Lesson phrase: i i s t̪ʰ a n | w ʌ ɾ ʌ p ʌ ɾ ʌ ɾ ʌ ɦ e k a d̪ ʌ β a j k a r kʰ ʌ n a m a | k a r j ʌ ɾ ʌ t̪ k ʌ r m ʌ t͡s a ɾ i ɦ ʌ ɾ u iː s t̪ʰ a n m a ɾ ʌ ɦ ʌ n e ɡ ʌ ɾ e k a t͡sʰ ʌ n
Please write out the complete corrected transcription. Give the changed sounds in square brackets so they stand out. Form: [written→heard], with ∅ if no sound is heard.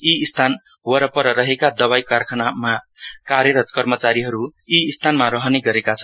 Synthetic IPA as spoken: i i s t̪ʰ a n | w ʌ ɾ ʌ p ʌ ɾ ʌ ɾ ʌ ɦ e k a d̪ ʌ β a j k a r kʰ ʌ n a m a | k a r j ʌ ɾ ʌ t̪ k ʌ r m ʌ t͡s a ɾ i ɦ ʌ ɾ u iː s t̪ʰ a n m a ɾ ʌ ɦ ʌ n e ɡ ʌ ɾ e k a t͡sʰ ʌ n